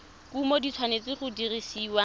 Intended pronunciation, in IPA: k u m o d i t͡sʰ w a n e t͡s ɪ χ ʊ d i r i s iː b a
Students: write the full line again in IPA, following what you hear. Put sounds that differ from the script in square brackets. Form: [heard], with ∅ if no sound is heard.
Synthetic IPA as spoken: k u m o d i t͡sʰ w a n e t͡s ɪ χ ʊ d i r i s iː [w] a